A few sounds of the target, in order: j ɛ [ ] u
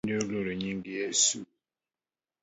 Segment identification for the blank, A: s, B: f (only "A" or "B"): A